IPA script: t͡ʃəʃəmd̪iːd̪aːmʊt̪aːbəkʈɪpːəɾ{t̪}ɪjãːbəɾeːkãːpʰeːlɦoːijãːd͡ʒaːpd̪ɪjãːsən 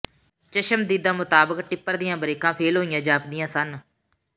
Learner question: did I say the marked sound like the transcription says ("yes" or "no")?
no